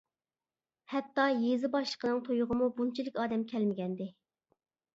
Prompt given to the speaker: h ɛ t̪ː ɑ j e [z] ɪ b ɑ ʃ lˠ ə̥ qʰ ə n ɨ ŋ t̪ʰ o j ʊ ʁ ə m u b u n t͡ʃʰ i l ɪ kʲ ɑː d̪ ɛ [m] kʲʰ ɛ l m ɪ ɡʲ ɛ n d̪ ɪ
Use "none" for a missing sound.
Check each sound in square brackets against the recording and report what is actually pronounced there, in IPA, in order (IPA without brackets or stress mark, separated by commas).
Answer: z, m